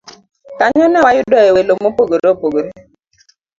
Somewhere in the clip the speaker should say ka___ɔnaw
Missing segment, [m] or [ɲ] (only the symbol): ɲ